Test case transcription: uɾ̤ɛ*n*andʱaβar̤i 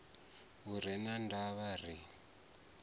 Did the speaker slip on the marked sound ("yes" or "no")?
no